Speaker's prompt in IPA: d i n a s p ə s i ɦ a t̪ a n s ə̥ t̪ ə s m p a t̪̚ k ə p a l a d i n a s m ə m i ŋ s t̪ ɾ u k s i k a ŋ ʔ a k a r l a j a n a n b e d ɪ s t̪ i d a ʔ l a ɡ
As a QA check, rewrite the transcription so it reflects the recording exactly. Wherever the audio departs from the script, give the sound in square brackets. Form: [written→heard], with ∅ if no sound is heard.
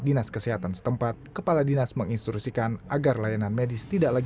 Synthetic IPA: d i n a s [p→k] ə s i ɦ a t̪ a n s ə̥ t̪ ə [s→∅] m p a t̪̚ k ə p a l a d i n a s m ə [m→ŋ] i [ŋ→n] s t̪ ɾ u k s i k a [ŋ→n] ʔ a [k→ɡ] a r l a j a n a n [b→m] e d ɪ s t̪ i d a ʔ l a ɡ